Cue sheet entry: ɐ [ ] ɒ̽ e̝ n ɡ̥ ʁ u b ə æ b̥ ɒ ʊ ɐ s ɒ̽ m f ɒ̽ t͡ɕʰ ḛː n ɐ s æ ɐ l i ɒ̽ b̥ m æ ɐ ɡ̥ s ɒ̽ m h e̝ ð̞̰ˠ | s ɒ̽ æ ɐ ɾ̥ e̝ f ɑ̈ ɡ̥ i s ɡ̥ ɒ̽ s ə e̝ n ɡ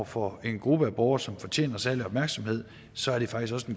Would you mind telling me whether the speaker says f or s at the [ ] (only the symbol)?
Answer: f